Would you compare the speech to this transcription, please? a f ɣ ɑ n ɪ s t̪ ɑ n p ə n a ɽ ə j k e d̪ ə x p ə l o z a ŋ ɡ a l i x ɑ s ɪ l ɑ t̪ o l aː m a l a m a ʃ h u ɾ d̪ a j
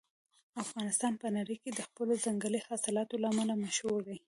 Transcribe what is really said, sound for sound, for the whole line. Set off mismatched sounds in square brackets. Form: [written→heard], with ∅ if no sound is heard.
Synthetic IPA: a f ɣ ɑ n ɪ s t̪ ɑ n p ə n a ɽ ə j k e d̪ ə x p ə l o z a ŋ ɡ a l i [x→h] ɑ s ɪ l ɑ t̪ o l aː m a l a m a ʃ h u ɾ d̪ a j